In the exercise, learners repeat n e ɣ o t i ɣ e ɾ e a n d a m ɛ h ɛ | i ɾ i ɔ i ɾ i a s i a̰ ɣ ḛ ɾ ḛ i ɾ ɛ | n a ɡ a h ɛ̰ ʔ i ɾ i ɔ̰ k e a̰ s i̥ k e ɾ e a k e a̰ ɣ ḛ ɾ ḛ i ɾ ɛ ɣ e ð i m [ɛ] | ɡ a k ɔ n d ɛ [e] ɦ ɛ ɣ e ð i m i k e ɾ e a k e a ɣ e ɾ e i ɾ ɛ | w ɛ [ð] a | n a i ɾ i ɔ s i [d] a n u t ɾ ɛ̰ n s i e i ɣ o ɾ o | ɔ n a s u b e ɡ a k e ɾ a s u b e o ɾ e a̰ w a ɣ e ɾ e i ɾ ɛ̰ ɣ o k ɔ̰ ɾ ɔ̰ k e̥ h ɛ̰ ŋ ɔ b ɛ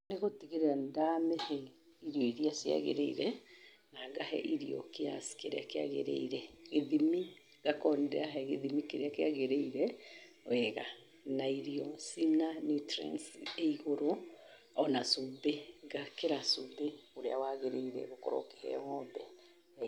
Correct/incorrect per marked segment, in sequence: incorrect: i, incorrect: a, incorrect: ɣ, incorrect: n

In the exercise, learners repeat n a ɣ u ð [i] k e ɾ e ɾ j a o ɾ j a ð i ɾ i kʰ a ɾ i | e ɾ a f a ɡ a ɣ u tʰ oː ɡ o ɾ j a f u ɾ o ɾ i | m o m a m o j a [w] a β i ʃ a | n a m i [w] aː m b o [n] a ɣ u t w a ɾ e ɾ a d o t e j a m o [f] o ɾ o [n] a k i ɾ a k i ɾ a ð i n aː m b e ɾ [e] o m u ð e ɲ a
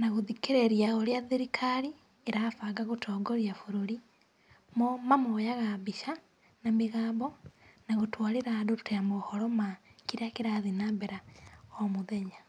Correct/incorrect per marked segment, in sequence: correct, incorrect: ɣ, incorrect: ɣ, correct, incorrect: h, incorrect: m, incorrect: a

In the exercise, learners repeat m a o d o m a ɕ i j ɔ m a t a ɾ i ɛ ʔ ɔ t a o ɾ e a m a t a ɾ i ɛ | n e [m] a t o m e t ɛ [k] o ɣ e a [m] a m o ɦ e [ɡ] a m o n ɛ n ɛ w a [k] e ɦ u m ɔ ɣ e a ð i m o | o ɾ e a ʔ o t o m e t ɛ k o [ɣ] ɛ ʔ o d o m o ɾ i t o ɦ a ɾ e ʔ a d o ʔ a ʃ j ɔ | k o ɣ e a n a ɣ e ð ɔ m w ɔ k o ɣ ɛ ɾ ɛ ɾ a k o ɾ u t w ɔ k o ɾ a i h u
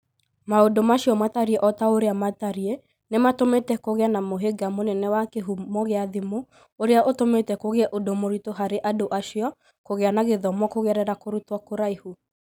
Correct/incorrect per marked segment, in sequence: correct, correct, incorrect: n, correct, correct, correct

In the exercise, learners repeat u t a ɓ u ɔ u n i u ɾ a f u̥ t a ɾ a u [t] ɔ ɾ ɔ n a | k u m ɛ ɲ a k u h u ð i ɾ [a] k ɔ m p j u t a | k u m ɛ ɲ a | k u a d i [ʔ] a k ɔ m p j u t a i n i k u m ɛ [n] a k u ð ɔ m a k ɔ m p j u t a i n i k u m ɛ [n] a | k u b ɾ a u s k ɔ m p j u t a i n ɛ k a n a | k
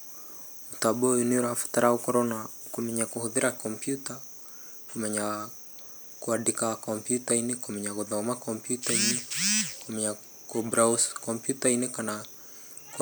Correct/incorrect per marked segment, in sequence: incorrect: k, correct, incorrect: k, incorrect: ɲ, incorrect: ɲ

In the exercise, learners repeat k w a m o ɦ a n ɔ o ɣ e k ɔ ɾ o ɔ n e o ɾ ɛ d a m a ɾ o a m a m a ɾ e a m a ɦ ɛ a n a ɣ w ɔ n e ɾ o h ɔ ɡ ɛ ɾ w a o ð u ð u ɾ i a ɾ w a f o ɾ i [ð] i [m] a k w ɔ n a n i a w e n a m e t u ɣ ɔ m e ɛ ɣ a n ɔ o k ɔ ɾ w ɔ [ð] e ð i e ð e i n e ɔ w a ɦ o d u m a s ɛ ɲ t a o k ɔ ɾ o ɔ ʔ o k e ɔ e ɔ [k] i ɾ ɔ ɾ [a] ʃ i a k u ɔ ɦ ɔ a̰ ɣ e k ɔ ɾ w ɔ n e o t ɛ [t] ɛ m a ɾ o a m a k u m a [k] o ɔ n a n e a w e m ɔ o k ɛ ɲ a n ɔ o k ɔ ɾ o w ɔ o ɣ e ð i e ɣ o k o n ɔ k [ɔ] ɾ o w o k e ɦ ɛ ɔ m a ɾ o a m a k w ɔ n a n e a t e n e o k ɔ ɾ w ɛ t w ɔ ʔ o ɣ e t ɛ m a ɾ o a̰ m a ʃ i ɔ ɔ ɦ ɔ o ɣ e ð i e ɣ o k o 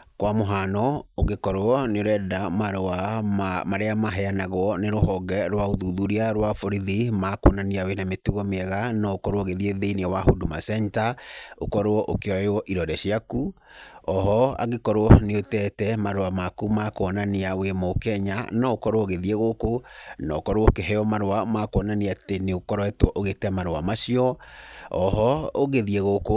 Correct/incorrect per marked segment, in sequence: correct, correct, incorrect: ɣ, incorrect: ʔ, incorrect: ɛ, correct, correct, correct

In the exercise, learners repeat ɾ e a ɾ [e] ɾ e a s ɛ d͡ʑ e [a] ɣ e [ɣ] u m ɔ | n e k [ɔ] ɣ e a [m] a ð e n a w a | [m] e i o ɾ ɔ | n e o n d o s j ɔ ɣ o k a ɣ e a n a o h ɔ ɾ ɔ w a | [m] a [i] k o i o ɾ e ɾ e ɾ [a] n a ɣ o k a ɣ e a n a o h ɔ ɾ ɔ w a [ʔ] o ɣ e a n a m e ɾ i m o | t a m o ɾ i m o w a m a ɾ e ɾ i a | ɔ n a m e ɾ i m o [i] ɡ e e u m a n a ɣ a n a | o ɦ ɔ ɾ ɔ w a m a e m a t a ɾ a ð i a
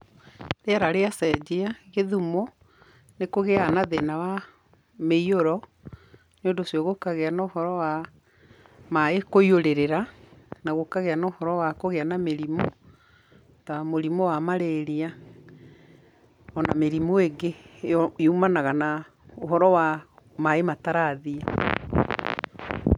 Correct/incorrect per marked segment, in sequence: incorrect: a, correct, incorrect: ð, incorrect: o, incorrect: n, correct, correct, incorrect: e, correct, incorrect: k, incorrect: e

